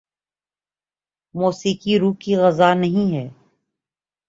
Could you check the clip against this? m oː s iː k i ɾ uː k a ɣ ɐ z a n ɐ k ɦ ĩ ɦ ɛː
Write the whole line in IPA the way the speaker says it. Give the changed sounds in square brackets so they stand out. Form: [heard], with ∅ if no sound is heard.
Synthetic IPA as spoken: m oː s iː k i ɾ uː k [i] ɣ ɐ z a n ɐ [∅] ɦ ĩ ɦ ɛː

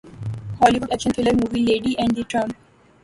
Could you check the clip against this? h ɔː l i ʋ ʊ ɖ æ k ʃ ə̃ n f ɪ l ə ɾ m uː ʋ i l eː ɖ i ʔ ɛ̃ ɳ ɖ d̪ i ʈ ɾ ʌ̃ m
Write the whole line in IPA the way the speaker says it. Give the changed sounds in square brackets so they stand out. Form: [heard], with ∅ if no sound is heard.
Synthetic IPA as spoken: h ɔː l i ʋ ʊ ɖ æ k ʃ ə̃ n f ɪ l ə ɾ m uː ʋ i l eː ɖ i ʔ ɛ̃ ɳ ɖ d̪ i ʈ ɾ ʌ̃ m

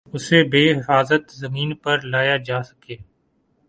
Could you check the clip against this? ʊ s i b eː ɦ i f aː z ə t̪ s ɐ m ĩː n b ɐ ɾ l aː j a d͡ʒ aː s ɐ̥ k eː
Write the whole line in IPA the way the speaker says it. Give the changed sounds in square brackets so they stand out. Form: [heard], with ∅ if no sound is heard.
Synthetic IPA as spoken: ʊ s [e] b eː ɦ [ɪ] f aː z ə t̪ [z] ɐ m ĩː n [p] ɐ ɾ l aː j a d͡ʒ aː s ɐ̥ k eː

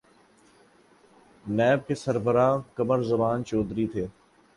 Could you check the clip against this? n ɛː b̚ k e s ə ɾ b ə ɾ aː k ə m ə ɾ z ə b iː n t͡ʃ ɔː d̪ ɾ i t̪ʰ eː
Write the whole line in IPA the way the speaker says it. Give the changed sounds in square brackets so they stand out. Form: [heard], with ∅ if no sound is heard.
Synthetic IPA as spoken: n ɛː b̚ k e s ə ɾ b ə ɾ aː k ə m ə ɾ z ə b [aː] n t͡ʃ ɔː d̪ ɾ i t̪ʰ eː

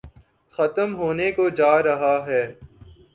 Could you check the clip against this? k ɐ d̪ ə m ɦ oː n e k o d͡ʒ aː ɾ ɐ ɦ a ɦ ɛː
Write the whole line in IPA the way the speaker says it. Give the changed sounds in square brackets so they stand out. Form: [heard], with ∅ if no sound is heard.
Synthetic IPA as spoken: [x] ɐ [t̪] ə m ɦ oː n e k o d͡ʒ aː ɾ ɐ ɦ a ɦ ɛː

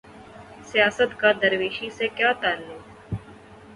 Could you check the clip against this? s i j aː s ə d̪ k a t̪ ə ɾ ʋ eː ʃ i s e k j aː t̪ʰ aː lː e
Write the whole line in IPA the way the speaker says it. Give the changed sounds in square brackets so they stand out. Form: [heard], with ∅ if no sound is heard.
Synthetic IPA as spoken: s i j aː s ə [t̪] k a [d̪] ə ɾ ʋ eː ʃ i s e k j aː [t̪] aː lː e

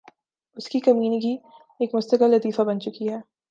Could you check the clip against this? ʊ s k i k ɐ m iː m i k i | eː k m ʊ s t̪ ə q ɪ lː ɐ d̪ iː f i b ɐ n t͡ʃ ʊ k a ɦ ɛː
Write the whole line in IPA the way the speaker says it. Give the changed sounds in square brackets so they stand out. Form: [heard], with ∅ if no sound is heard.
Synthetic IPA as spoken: ʊ s k i k ɐ m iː [n] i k i | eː k m ʊ s t̪ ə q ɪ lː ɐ [t̪] iː f [a] b ɐ n t͡ʃ ʊ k [i] ɦ ɛː

